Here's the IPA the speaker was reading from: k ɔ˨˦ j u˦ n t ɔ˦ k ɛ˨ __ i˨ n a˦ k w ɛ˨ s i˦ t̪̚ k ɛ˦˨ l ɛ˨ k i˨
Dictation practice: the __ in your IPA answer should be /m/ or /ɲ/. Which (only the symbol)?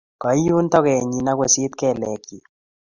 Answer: ɲ